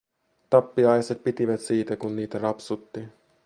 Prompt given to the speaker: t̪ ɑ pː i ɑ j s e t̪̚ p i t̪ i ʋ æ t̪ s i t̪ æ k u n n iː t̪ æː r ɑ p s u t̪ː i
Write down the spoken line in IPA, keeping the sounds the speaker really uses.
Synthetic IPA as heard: t̪ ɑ pː i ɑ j s e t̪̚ p i t̪ i ʋ æ t̪ s iː t̪ æ k u n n iː t̪ æ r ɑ p s u t̪ː i